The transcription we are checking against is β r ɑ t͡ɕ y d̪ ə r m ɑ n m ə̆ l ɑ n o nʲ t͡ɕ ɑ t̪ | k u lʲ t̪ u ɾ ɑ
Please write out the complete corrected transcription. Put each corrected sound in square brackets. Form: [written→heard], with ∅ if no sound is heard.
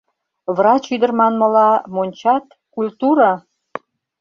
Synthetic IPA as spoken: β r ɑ t͡ɕ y d̪ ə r m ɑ n m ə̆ l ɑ [n→m] o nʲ t͡ɕ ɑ t̪ | k u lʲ t̪ u ɾ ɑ

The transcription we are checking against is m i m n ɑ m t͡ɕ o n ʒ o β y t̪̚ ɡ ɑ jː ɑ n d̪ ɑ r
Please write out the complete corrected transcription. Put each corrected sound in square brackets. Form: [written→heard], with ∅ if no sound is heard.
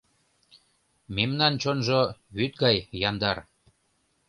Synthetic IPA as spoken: m [i→e] m n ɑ [m→n] t͡ɕ o n ʒ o β y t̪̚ ɡ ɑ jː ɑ n d̪ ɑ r

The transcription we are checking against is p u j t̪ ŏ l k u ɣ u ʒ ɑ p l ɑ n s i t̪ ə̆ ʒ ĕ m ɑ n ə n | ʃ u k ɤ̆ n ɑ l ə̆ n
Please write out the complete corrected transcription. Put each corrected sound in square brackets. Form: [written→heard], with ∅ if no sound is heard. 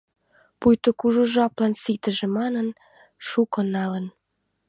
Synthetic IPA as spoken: p u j t̪ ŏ [l→∅] k u [ɣ→ʒ] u ʒ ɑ p l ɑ n s i t̪ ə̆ ʒ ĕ m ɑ n ə n | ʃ u k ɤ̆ n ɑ l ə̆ n

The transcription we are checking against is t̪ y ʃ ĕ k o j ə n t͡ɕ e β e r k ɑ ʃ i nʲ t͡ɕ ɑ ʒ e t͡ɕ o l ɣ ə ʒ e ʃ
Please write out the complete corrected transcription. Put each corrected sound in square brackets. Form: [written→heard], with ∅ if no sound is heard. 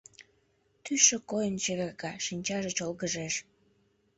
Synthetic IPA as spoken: t̪ y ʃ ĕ k o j ə n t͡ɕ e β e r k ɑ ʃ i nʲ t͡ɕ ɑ ʒ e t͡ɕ o l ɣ ə ʒ e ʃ

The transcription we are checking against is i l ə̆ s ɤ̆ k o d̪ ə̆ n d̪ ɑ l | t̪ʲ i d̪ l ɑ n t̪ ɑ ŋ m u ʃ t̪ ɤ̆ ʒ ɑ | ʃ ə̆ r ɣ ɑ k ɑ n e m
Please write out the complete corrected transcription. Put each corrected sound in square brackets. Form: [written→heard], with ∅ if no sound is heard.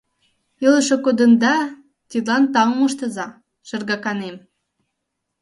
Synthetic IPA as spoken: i l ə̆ [s→ʃ] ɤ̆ k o d̪ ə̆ n d̪ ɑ [l→∅] | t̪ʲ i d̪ l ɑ n t̪ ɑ ŋ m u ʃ t̪ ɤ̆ [ʒ→z] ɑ | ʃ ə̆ r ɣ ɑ k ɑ n e m

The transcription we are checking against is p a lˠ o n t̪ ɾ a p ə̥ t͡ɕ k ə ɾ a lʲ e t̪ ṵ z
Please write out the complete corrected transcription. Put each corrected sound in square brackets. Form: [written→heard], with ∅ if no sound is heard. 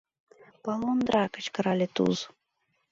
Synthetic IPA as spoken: p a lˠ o n [t̪→d̪] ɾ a [p→k] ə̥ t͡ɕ k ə ɾ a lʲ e t̪ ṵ z

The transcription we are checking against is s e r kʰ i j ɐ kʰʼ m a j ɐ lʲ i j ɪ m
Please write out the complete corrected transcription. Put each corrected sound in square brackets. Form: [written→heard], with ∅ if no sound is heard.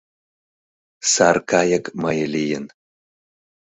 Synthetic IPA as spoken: s [e→a] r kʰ [i→a] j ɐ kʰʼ m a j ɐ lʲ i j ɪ [m→n]

